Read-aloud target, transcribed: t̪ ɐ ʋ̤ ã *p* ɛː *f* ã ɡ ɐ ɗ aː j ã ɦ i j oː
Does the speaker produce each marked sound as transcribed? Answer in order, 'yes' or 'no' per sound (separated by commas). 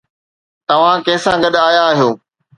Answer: no, no